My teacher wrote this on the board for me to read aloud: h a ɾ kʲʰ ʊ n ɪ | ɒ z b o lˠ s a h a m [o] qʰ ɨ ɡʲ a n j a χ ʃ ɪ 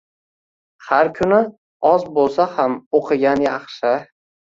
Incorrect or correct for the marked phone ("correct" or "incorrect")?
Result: correct